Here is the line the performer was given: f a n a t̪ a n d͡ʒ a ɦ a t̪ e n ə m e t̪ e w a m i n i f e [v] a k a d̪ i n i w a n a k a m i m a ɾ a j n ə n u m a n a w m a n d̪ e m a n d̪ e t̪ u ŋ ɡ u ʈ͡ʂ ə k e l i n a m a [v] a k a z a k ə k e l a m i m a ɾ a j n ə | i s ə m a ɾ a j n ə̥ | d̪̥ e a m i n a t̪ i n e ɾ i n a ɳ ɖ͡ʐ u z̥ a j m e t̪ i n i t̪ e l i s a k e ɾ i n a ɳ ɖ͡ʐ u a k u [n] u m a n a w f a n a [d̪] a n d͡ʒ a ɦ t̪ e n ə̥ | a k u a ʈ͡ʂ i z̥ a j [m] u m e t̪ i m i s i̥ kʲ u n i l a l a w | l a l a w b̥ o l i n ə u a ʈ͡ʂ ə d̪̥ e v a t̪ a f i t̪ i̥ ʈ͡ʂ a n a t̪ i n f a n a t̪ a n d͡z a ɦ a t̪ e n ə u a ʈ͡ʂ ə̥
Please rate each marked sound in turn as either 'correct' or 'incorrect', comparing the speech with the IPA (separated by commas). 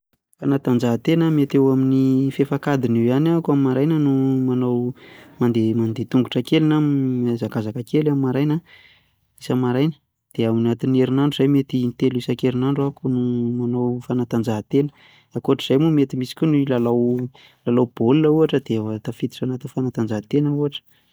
incorrect, incorrect, correct, incorrect, correct